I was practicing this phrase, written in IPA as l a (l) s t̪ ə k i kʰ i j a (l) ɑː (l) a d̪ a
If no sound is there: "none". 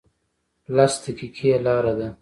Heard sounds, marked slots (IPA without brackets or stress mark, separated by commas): none, l, ɾ